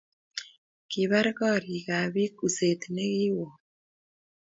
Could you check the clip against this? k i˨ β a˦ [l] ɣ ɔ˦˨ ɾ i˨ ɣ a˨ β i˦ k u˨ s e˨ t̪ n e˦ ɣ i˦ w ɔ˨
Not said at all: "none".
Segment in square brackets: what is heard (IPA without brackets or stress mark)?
ɾ